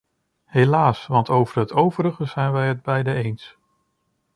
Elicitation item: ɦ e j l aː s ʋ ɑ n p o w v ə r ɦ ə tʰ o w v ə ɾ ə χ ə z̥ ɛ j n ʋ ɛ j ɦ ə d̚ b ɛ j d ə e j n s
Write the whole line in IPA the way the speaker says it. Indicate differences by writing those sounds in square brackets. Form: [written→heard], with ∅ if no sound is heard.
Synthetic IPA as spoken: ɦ e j l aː s ʋ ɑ n [p→t] o w v ə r ɦ ə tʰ o w v ə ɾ ə χ ə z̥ ɛ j n ʋ ɛ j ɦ ə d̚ b ɛ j d ə e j n s